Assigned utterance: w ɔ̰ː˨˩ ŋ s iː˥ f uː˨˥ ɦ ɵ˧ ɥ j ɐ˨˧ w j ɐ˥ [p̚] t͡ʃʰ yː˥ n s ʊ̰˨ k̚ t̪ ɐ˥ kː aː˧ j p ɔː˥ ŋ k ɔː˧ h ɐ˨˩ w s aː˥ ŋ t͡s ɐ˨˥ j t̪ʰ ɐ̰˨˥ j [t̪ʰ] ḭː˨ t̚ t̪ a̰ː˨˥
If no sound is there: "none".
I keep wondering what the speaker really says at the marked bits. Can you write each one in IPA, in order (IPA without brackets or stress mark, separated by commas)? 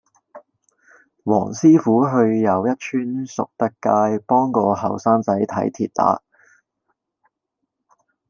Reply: t̚, t̪ʰ